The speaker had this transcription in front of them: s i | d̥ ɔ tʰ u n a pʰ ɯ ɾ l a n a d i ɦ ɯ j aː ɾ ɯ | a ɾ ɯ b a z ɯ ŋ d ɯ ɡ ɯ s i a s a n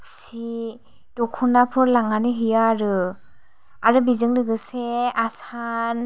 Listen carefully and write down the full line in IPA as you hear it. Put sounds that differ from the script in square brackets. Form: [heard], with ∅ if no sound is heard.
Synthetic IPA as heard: s i | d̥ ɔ [kʰ] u n a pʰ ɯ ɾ l a [ŋ] a [n] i ɦ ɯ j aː ɾ ɯ | a ɾ ɯ b [i] z ɯ ŋ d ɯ ɡ ɯ s [e] a s a n